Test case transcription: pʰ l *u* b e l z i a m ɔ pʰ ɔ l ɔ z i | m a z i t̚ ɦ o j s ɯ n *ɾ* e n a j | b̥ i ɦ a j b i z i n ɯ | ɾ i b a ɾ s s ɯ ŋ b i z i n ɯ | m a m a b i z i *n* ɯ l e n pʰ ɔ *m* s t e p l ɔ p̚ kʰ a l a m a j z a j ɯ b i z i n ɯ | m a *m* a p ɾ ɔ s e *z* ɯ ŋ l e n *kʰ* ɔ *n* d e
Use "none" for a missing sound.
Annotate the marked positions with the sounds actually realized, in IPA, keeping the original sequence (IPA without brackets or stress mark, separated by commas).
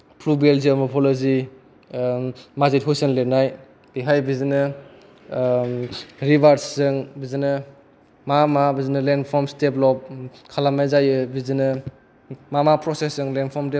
u, l, n, m, m, s, pʰ, m